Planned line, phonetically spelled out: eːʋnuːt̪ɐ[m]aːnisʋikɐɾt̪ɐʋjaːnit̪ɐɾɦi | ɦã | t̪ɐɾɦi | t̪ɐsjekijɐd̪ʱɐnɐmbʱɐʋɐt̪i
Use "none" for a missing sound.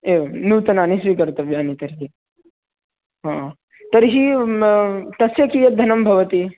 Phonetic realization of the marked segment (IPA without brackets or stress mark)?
n